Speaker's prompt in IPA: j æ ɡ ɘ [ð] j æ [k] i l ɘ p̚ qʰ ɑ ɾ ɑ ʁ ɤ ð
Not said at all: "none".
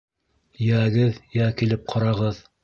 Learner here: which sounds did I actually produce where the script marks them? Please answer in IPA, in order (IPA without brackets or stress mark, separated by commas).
ð, k